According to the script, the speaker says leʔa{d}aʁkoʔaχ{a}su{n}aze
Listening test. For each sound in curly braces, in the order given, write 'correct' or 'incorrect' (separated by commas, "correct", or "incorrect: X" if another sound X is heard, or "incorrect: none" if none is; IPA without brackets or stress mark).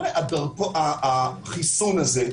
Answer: correct, incorrect: i, correct